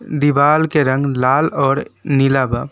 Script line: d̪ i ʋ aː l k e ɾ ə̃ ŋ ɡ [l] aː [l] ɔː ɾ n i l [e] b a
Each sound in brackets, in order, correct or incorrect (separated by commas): correct, correct, incorrect